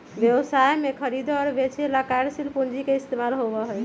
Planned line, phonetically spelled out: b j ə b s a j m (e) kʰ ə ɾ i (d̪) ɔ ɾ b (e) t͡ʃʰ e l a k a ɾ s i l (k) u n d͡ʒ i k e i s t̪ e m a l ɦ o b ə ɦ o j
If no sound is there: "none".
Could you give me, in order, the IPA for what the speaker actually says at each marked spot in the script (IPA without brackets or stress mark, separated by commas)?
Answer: e, d̪, e, p